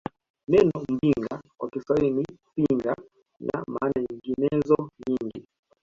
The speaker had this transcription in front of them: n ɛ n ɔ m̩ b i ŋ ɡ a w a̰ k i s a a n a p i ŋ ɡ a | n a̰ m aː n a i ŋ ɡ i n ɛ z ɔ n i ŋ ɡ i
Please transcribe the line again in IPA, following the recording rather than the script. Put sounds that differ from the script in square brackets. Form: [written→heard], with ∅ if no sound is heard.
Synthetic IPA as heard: n ɛ n ɔ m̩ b i ŋ ɡ a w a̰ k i s a [a→i] n [a→i] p i ŋ ɡ a | n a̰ m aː n a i ŋ ɡ i n ɛ z ɔ [n→ɲ] i ŋ ɡ i